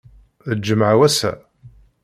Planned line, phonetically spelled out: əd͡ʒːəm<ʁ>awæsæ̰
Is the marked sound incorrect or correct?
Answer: incorrect